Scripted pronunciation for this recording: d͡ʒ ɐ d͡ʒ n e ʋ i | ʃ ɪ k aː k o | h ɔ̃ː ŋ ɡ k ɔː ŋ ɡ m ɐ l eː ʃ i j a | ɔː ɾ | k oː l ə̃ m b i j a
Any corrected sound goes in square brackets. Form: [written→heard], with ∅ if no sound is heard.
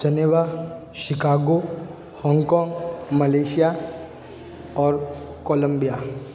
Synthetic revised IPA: d͡ʒ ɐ [d͡ʒ→∅] n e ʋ [i→a] | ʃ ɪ k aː [k→ɡ] o | h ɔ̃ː ŋ ɡ k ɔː ŋ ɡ m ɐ l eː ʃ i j a | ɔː ɾ | k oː l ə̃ m b i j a